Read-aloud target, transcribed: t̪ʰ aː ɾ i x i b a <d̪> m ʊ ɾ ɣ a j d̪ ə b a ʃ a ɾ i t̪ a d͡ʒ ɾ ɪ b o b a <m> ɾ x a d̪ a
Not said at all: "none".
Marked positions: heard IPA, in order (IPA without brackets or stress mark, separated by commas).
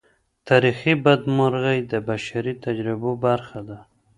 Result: d̪, none